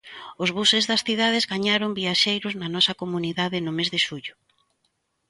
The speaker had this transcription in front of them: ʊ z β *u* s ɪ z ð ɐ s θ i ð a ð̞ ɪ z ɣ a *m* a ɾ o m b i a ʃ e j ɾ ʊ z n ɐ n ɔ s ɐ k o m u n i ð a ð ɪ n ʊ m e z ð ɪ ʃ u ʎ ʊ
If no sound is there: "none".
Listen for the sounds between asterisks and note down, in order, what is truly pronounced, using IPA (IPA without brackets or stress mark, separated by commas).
u, ɲ